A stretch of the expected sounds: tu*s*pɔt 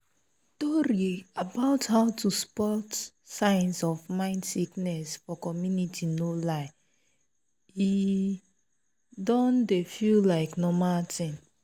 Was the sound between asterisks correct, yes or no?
yes